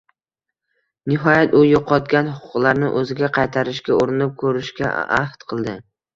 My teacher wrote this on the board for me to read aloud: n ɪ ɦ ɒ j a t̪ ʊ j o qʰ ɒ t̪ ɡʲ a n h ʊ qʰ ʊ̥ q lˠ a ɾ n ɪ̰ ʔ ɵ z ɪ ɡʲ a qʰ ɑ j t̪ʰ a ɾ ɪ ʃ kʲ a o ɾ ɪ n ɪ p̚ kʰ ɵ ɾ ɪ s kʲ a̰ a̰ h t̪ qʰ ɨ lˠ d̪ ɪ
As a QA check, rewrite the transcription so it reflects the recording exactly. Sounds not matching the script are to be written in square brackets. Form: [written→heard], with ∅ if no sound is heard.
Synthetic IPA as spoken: n ɪ ɦ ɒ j a t̪ ʊ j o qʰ ɒ t̪ ɡʲ a n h ʊ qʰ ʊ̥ q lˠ a ɾ n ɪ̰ ʔ ɵ z ɪ ɡʲ a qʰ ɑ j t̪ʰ a ɾ ɪ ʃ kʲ a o ɾ ɪ n ɪ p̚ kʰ ɵ ɾ ɪ [s→ʃ] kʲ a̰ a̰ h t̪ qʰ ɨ lˠ d̪ ɪ